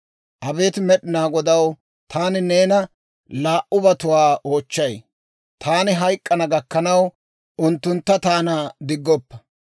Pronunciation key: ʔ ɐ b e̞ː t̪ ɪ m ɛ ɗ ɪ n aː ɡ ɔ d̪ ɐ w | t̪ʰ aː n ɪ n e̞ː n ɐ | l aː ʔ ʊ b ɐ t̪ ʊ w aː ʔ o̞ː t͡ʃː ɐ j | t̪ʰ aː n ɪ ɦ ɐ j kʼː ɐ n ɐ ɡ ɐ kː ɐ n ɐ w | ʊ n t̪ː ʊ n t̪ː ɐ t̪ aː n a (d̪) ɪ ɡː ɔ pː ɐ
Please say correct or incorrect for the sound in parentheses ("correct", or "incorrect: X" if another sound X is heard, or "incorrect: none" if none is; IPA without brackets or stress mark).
correct